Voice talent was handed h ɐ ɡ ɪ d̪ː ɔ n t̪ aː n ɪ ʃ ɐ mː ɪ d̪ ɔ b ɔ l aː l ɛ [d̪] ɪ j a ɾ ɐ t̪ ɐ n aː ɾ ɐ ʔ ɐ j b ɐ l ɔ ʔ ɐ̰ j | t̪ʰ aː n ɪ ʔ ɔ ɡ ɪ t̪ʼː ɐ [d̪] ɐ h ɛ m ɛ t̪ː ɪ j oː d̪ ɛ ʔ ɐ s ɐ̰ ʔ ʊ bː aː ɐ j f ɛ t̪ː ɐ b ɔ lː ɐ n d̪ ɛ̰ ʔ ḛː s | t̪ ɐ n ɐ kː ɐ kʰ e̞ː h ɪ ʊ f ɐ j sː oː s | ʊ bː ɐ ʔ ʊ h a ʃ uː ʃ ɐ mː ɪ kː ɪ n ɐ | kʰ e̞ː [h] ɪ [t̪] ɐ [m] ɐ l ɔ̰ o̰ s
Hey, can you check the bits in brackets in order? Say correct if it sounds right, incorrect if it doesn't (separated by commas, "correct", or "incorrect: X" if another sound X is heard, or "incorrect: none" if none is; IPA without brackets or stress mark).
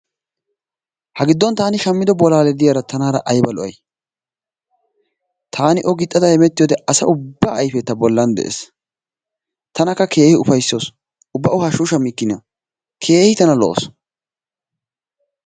correct, correct, correct, correct, incorrect: n